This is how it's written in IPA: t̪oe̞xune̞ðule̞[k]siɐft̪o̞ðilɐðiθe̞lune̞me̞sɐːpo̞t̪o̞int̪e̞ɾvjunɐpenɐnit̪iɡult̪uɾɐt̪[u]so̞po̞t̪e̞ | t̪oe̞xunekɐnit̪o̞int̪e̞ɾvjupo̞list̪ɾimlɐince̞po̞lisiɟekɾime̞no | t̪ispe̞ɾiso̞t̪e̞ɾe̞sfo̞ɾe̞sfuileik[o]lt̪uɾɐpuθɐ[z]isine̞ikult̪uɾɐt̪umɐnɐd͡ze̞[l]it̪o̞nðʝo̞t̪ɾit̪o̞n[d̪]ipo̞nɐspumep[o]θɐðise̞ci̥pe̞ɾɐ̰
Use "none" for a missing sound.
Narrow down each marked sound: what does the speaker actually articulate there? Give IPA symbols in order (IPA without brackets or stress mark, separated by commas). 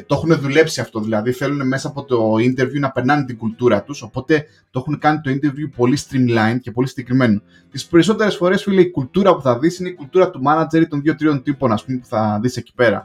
p, u, u, ð, ɾ, t̪, u